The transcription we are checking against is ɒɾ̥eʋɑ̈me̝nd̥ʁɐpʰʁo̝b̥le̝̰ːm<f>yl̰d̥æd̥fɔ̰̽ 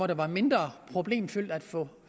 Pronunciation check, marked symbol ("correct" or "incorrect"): correct